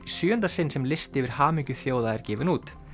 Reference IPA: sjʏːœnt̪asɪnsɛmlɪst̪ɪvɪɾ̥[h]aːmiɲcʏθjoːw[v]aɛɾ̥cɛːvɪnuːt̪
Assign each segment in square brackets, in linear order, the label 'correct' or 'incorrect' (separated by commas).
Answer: correct, incorrect